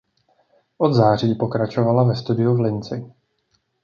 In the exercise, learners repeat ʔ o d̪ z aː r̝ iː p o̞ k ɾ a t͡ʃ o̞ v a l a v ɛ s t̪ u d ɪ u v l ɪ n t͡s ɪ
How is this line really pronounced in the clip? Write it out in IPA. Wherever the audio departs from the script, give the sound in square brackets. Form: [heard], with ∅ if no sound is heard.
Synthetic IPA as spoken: ʔ o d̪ z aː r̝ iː p o̞ k ɾ a t͡ʃ o̞ v a l a v ɛ s t̪ u d ɪ u v l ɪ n t͡s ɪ